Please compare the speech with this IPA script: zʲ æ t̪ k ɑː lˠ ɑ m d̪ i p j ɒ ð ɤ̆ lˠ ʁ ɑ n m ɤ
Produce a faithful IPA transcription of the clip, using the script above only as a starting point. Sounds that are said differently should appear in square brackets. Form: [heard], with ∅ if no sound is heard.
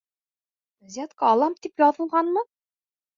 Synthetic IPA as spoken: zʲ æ t̪ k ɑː lˠ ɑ m [t̪] i p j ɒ ð ɤ̆ lˠ ʁ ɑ n m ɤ